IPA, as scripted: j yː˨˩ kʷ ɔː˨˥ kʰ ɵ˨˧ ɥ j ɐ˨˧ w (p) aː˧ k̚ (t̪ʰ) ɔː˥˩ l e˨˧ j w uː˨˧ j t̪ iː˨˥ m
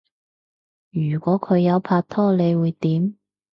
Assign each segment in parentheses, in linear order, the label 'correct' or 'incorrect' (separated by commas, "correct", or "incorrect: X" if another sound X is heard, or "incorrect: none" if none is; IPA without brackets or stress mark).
incorrect: pʰ, correct